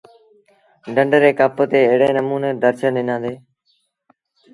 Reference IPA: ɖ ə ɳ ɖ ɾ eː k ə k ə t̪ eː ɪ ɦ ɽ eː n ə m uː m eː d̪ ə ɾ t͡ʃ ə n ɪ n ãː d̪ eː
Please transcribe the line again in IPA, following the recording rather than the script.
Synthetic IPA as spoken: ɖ ə ɳ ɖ ɾ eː k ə p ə t̪ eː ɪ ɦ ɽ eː n ə m uː n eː d̪ ə ɾ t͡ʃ ə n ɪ n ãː d̪ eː